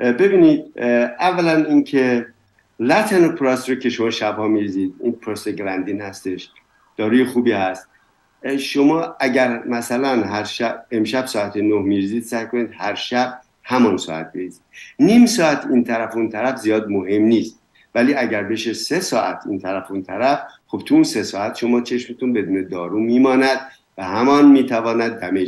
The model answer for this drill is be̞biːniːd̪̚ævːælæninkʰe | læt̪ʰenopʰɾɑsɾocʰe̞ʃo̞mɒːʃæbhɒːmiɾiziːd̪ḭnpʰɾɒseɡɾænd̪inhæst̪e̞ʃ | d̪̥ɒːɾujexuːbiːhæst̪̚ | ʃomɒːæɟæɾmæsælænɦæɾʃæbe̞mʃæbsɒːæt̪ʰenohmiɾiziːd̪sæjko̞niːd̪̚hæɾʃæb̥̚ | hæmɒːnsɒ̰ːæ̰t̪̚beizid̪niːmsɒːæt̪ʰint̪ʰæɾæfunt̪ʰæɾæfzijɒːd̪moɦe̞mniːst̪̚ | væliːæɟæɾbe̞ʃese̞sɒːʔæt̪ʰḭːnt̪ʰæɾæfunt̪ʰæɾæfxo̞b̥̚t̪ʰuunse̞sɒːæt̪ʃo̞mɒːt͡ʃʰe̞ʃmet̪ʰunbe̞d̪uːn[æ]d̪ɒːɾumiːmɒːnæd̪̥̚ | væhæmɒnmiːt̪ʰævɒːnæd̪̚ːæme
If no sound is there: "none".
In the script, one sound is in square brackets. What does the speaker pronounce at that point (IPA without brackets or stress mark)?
e